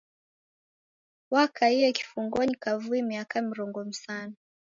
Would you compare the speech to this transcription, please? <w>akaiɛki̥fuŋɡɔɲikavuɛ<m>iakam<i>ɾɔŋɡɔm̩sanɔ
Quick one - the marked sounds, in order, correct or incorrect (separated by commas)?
correct, correct, correct